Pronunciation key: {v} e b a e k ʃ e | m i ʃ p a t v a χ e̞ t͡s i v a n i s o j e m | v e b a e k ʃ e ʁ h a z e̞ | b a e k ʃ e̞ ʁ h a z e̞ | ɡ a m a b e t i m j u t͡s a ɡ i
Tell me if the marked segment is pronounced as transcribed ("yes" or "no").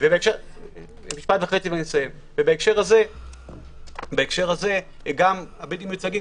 yes